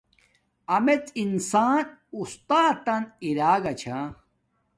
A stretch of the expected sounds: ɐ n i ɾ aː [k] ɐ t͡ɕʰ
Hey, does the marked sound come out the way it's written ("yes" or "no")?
no